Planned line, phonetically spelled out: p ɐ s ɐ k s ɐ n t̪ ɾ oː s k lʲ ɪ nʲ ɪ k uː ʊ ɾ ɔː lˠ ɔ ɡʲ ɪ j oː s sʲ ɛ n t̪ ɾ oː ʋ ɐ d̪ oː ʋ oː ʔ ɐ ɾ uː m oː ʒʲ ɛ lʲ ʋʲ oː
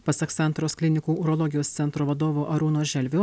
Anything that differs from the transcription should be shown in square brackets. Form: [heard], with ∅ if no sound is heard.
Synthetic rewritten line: p ɐ s ɐ k s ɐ n t̪ ɾ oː s k lʲ ɪ nʲ ɪ k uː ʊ ɾ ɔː lˠ ɔ ɡʲ ɪ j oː s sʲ ɛ n t̪ ɾ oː ʋ ɐ d̪ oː ʋ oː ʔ ɐ ɾ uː [n] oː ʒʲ ɛ lʲ ʋʲ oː